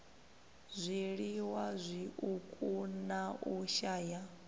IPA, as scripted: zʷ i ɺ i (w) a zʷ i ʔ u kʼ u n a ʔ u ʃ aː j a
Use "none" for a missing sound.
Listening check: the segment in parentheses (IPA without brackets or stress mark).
w